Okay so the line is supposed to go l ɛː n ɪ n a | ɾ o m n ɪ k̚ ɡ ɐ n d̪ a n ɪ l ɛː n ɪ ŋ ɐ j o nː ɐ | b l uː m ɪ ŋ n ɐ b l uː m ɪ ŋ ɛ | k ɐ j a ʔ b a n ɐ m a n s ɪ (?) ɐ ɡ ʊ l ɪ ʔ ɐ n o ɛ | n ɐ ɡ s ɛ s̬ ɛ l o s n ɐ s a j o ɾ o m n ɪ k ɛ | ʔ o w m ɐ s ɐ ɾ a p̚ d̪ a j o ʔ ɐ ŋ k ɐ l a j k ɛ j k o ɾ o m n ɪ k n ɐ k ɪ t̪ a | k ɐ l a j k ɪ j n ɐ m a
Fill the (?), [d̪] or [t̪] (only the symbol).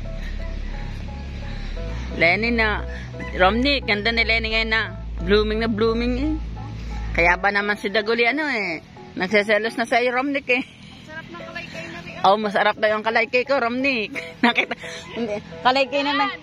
d̪